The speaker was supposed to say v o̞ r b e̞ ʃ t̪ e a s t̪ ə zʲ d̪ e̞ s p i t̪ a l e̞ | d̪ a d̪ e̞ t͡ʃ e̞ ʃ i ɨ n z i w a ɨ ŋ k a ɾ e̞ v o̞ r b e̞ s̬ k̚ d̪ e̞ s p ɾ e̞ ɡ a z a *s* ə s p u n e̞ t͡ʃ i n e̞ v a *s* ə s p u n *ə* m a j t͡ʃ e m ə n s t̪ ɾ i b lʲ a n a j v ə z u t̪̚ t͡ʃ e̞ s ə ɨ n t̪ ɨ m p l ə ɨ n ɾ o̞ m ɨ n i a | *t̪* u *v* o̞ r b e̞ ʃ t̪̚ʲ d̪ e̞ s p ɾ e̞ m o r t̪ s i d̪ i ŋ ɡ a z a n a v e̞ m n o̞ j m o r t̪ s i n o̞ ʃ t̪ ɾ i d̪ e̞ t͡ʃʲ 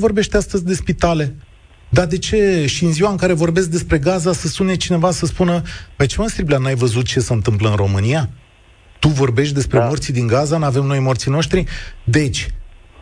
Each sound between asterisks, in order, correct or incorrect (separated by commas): correct, correct, correct, correct, correct